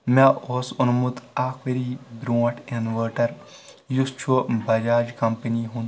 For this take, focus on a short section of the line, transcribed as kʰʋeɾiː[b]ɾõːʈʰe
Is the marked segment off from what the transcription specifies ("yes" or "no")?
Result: no